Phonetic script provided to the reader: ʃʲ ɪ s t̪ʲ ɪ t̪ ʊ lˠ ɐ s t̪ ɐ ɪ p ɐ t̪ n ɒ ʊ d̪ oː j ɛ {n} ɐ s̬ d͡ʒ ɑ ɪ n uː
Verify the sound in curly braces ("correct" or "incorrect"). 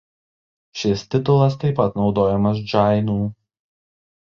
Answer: incorrect